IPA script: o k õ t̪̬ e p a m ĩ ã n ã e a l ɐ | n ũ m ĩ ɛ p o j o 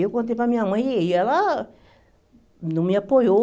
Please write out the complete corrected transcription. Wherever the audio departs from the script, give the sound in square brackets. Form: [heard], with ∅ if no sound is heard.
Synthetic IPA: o k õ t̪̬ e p a m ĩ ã [m] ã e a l [a] | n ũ m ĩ [a] p o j o